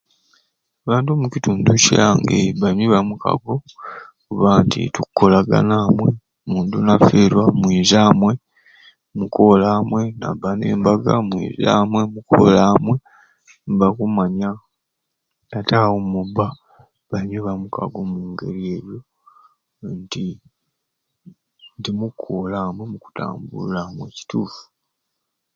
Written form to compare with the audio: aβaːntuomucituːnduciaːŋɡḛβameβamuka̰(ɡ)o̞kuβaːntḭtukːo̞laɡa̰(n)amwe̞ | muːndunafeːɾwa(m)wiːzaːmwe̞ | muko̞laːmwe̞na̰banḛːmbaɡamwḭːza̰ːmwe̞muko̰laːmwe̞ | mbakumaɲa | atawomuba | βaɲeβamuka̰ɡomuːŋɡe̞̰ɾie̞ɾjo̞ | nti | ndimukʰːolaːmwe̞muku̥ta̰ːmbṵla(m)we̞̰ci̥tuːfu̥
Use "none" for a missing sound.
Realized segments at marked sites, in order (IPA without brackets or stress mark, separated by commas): ɡ, n, m, m